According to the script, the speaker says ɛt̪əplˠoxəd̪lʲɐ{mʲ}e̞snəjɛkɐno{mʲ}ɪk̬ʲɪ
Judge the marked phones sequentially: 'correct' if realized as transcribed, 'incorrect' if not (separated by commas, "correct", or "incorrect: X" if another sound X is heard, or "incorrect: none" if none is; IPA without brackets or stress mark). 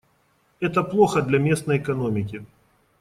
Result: correct, correct